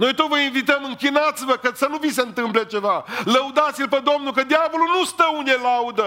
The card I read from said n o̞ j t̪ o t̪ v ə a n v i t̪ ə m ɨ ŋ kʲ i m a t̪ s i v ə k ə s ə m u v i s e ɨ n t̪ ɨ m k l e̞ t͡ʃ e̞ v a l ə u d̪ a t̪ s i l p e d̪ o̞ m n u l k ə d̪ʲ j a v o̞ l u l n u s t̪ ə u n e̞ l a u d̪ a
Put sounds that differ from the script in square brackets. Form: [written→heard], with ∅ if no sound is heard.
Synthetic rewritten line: n o̞ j t̪ o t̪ v ə [a→i] n v i t̪ ə m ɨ ŋ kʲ i [m→n] a t̪ s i v ə k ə s ə [m→n] u v i s e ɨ n t̪ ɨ m [k→p] l e̞ t͡ʃ e̞ v a l ə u d̪ a t̪ s i l p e d̪ o̞ m n u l k ə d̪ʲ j a v o̞ l u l n u s t̪ ə u n e̞ l a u d̪ [a→ə]